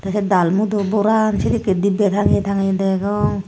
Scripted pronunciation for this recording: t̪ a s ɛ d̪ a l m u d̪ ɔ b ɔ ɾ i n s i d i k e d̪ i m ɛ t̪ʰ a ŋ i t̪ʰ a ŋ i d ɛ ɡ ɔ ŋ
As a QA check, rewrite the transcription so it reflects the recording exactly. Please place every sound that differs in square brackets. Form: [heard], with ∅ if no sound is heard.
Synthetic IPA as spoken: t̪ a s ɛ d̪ a l m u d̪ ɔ b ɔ ɾ [a] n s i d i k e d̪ i [b] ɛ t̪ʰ a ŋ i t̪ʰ a ŋ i d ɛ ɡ ɔ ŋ